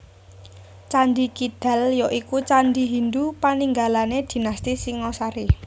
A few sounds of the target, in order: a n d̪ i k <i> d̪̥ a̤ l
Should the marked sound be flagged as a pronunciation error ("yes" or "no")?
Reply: no